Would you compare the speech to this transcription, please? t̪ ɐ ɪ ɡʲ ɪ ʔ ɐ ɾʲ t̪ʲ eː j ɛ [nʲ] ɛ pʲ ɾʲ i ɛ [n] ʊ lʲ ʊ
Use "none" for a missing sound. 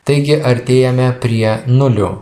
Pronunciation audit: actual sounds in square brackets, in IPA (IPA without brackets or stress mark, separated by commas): mʲ, n